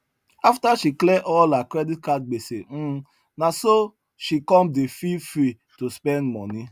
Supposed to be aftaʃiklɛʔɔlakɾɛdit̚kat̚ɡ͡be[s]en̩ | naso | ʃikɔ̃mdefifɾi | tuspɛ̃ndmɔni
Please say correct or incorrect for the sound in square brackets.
correct